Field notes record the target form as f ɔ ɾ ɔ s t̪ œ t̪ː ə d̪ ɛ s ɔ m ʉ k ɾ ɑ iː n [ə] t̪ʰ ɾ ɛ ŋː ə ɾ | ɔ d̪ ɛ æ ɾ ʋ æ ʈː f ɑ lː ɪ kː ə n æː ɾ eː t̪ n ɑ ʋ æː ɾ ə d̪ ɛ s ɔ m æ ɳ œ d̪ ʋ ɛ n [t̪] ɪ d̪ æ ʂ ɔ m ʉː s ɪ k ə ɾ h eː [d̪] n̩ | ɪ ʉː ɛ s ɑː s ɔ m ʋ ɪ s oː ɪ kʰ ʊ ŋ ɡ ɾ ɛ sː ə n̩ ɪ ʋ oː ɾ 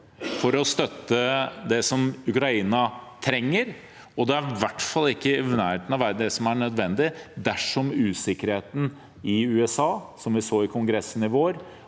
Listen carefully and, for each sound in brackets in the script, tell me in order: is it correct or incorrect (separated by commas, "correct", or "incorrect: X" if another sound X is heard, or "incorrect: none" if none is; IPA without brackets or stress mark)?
incorrect: ɑ, incorrect: d̪, incorrect: t̪